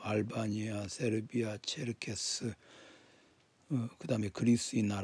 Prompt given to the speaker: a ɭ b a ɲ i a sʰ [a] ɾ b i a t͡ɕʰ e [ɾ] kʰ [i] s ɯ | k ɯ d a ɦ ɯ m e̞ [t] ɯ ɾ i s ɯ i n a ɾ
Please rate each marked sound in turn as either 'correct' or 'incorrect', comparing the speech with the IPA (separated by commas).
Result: incorrect, correct, incorrect, incorrect